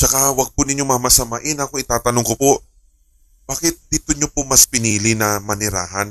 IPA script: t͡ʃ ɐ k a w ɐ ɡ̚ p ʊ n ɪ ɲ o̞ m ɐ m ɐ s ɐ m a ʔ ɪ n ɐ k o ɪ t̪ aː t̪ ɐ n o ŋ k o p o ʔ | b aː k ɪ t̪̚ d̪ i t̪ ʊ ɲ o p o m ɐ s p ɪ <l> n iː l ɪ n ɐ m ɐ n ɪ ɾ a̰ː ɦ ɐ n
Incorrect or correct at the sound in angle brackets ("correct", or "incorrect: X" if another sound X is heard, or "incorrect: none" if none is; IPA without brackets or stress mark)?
incorrect: none